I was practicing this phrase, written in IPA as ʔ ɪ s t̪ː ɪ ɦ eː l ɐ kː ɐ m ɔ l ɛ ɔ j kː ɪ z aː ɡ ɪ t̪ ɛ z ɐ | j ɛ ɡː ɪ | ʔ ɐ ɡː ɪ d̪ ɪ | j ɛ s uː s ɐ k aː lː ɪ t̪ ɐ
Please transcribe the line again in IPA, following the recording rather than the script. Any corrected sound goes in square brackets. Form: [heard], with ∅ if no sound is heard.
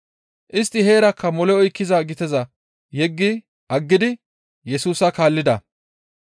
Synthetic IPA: ʔ ɪ s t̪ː ɪ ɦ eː [ɾ] ɐ kː ɐ m ɔ l ɛ ɔ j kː ɪ z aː ɡ ɪ t̪ ɛ z ɐ | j ɛ ɡː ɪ | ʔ ɐ ɡː ɪ d̪ ɪ | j ɛ s uː s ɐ k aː lː ɪ [d̪] ɐ